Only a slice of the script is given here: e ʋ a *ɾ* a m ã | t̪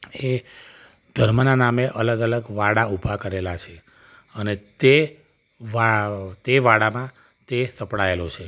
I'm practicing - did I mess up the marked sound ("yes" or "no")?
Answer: yes